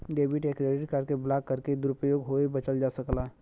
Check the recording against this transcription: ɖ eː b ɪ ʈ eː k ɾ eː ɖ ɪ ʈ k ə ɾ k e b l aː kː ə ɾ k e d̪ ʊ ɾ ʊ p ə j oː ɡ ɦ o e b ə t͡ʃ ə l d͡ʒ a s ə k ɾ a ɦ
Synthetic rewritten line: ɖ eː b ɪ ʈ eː k ɾ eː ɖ ɪ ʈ k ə ɾ k e b l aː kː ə ɾ k e d̪ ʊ ɾ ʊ p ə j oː ɡ ɦ o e b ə t͡ʃ ə l d͡ʒ a s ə k l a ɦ

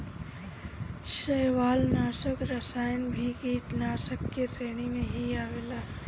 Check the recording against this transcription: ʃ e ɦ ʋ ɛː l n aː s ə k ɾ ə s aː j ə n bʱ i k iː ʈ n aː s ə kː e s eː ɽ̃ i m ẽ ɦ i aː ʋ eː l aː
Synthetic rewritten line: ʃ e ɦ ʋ aː l n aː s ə k ɾ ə s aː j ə n bʱ i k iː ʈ n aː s ə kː e s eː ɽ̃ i m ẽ ɦ i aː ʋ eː l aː

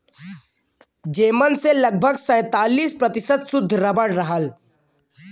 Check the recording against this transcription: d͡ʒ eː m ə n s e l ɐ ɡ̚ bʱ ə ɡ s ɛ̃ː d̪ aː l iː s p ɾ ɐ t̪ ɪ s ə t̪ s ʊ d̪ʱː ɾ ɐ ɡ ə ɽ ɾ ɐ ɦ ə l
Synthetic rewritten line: d͡ʒ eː m ə n s e l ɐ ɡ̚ bʱ ə ɡ s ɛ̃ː t̪ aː l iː s p ɾ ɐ t̪ ɪ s ə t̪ s ʊ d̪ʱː ɾ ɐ b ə ɽ ɾ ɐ ɦ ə l

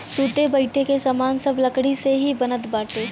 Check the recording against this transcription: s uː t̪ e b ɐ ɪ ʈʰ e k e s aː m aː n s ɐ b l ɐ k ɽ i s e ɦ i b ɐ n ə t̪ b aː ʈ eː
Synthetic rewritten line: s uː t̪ e b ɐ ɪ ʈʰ e k e s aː m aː n s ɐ b l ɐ k ɽ i s e ɦ i b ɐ n ə t̪ b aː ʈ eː

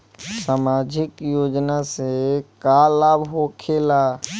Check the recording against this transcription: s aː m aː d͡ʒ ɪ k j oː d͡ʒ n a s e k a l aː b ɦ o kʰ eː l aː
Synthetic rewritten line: s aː m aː d͡ʒ ɪ k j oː d͡ʒ n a s e k a l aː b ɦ o kʰ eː l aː

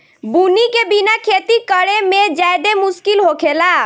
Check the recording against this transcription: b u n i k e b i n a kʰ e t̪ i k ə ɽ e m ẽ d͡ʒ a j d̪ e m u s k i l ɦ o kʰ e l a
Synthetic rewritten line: b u n i k e b i n a kʰ e t̪ i k ə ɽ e m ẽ d͡ʒ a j d̪ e m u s k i l ɦ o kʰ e l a

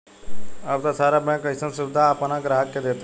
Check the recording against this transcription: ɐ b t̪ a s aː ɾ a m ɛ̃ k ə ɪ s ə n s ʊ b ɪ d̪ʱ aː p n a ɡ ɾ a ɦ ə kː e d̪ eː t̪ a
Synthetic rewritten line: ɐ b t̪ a s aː ɾ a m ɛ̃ k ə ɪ s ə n s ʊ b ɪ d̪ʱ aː p n a ɡ ɾ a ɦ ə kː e d̪ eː t̪ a

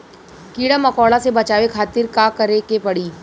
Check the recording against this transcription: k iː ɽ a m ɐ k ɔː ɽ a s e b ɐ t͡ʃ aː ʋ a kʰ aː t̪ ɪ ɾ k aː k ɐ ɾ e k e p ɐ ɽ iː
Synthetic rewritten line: k iː ɽ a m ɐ k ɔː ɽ a s e b ɐ t͡ʃ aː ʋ e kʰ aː t̪ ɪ ɾ k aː k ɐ ɾ e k e p ɐ ɽ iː

